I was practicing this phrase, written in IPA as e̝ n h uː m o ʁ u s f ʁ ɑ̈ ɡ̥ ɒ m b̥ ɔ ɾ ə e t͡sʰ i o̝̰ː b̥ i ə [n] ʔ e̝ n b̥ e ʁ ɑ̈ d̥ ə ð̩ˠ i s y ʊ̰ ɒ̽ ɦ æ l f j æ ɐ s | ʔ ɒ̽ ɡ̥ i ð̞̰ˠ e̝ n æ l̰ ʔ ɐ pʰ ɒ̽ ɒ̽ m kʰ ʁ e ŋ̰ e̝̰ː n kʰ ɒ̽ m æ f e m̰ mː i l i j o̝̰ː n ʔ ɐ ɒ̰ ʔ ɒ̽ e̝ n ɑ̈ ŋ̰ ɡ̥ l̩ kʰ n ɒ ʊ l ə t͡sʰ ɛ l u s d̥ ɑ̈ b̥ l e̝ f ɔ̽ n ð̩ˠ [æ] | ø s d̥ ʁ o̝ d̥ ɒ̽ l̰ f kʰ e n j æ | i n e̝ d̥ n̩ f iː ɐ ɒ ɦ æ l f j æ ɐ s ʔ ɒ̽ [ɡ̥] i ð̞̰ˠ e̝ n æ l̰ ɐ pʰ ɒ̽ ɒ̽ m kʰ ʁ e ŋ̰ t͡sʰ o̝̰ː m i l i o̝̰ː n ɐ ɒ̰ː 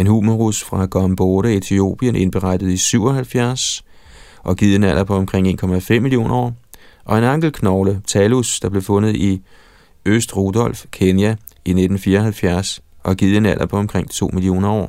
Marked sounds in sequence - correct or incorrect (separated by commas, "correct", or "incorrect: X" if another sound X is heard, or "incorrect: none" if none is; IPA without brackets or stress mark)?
correct, incorrect: i, correct